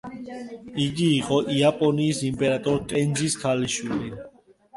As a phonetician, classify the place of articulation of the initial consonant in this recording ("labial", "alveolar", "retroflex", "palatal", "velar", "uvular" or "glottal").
velar